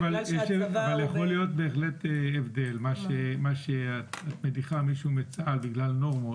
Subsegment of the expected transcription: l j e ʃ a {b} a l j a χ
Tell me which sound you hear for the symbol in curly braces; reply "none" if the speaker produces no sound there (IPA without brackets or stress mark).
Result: v